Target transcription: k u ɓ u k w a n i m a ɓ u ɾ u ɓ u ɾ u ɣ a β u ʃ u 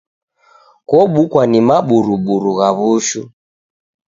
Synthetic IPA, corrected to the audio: k ɔ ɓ u k w a n i m a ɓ u ɾ u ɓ u ɾ u ɣ a β u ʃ u